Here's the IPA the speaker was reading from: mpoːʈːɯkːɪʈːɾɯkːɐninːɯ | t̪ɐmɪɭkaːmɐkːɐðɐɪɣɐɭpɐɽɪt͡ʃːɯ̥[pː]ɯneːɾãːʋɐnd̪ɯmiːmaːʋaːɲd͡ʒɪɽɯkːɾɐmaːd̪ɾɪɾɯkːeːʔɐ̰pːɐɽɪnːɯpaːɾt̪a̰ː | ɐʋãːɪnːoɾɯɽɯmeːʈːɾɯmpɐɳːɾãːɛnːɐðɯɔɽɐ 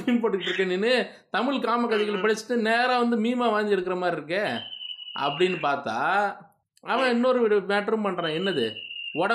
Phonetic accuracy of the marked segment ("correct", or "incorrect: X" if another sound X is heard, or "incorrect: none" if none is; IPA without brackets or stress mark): incorrect: ʈː